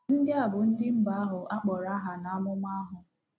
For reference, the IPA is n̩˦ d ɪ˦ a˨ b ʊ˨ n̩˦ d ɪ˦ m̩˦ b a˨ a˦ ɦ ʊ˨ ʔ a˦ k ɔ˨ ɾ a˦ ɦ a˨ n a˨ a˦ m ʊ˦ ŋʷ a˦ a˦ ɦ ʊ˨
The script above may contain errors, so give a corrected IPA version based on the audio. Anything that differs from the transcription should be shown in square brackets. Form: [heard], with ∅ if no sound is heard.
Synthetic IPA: n̩˦ d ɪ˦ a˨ b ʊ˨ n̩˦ d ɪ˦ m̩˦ b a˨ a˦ ɦ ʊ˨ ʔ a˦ [k͡p] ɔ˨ ɾ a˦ ɦ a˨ n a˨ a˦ m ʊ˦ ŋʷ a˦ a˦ ɦ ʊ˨

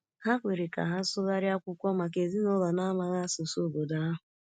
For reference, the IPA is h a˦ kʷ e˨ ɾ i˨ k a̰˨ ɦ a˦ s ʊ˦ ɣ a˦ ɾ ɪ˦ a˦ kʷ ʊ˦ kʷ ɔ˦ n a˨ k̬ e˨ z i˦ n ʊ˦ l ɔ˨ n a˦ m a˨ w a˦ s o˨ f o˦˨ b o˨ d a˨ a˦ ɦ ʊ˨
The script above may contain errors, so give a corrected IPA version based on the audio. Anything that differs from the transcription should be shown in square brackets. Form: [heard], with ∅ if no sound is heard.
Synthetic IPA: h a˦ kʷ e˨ ɾ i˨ k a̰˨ ɦ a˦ s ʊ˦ ɣ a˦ ɾ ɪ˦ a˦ kʷ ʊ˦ kʷ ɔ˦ [m] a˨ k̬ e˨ z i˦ n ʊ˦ l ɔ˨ n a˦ m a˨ [ɣ] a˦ s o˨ [s] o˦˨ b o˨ d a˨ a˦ ɦ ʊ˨

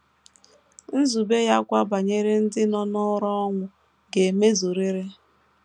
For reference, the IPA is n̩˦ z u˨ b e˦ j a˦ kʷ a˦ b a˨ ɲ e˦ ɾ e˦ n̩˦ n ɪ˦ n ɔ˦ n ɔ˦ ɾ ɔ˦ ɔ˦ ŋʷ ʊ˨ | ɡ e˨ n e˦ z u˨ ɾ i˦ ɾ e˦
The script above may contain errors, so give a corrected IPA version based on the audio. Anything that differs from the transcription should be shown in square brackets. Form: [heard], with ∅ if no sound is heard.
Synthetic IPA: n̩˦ z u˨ b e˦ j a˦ kʷ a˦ b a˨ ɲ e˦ ɾ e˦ n̩˦ [d] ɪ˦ n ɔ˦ n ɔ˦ ɾ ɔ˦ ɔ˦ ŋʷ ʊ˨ | ɡ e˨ [m] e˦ z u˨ ɾ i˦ ɾ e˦

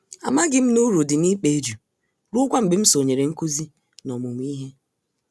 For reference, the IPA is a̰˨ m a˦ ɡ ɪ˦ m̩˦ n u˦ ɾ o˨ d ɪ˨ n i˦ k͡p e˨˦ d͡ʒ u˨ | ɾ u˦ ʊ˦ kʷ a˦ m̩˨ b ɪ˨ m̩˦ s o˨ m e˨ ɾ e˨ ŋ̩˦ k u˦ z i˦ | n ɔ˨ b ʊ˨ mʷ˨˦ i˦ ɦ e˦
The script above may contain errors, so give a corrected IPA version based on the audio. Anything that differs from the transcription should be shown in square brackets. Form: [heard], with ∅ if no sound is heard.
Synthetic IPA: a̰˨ m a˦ ɡ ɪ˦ m̩˦ n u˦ ɾ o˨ d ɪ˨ n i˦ k͡p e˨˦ d͡ʒ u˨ | ɾ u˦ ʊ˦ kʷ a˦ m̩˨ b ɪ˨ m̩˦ s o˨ [ɲ] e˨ ɾ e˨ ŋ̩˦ k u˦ z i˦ | n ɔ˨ [m] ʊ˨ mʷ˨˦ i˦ ɦ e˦

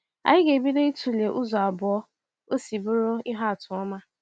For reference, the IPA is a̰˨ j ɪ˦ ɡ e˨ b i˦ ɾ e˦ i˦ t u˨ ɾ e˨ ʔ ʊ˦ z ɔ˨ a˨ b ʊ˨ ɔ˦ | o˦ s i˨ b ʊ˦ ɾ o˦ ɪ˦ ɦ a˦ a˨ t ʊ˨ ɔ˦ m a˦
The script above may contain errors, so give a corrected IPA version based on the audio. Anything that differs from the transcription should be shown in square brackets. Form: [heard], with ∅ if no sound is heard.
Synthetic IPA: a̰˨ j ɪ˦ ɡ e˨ b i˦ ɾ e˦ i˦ t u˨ [l] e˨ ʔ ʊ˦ z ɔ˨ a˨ b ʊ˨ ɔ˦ | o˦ s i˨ b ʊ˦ ɾ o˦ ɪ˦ ɦ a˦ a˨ t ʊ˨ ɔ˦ m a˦

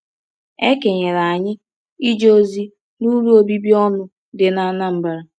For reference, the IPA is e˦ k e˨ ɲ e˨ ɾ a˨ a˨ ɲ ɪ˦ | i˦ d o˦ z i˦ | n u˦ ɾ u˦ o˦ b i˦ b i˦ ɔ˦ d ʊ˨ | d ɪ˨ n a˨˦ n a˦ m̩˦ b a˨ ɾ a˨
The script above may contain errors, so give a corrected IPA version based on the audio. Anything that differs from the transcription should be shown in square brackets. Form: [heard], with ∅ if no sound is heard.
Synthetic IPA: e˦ k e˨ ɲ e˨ ɾ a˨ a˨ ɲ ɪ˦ | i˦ [d͡ʒ] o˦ z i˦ | n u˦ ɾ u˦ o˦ b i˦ b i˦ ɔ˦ [n] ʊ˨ | d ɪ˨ n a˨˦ n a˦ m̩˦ b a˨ ɾ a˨

